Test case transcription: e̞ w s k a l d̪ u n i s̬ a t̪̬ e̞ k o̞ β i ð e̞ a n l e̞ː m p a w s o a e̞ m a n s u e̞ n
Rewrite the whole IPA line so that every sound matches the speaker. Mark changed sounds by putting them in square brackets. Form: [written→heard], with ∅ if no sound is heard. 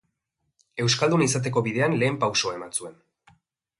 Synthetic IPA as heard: e̞ w s k a l d̪ u n i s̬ a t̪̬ e̞ k o̞ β i ð e̞ a n l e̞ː m p a w s o a e̞ m a n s u e̞ n